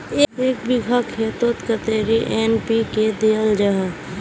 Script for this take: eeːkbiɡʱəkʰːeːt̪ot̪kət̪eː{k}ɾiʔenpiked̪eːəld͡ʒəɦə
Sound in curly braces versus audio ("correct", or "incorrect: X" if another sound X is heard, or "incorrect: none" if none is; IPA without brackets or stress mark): incorrect: none